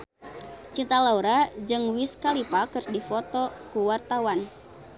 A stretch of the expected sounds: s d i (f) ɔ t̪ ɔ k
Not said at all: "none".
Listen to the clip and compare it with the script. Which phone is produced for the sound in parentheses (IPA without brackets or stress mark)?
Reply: f